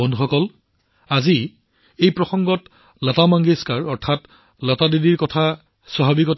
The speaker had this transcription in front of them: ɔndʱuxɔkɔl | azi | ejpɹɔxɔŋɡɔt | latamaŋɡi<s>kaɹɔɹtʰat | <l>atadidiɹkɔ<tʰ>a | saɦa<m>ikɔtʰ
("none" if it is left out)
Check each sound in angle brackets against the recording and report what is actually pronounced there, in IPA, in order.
s, l, tʰ, b

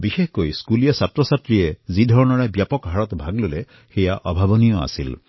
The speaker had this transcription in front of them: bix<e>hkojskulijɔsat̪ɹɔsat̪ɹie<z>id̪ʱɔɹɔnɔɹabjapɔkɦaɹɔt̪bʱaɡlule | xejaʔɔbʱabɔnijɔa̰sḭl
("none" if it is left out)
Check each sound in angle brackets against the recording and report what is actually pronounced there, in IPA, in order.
e, z

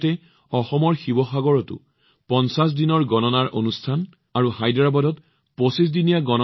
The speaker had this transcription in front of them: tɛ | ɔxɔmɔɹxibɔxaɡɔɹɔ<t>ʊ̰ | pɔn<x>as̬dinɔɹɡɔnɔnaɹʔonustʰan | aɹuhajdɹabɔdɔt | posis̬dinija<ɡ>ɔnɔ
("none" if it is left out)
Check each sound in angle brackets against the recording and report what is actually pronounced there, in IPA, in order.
t, s, ɡ

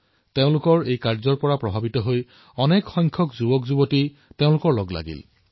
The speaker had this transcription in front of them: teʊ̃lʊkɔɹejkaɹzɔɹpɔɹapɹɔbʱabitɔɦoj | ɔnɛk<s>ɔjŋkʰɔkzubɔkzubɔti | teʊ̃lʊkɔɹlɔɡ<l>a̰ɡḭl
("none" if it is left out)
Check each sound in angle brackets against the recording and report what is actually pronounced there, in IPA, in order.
x, l

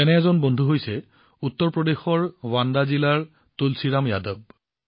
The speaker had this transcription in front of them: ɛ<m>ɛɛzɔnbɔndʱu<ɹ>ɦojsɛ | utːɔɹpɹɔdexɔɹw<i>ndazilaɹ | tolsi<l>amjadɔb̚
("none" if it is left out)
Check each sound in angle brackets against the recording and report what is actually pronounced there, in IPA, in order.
n, none, a, ɹ

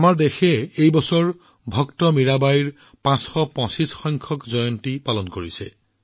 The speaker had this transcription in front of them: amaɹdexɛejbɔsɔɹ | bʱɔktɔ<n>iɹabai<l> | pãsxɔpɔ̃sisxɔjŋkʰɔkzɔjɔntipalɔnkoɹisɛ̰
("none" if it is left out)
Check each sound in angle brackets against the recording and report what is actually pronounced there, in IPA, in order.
m, ɹ

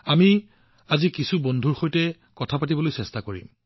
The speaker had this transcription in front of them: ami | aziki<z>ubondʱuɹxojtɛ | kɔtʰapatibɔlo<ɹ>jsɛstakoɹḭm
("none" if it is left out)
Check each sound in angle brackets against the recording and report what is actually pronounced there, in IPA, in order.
s, none

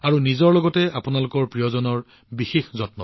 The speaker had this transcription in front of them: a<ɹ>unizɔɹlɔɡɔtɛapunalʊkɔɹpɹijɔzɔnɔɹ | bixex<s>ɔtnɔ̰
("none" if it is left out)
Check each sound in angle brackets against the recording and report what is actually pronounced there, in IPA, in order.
ɹ, z

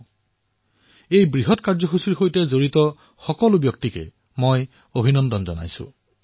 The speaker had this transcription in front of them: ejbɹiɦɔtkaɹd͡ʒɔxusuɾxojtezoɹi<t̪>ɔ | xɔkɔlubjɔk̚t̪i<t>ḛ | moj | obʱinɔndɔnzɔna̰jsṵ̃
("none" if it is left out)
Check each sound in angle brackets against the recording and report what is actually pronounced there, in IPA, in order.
t̪, k

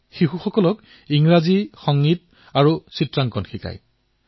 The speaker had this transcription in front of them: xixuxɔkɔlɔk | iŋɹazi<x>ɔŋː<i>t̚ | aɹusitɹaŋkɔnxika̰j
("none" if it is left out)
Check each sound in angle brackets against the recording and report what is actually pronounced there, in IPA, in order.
x, i

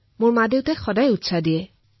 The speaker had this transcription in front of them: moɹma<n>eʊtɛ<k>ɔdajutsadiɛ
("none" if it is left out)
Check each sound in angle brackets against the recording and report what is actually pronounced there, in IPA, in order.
d, x

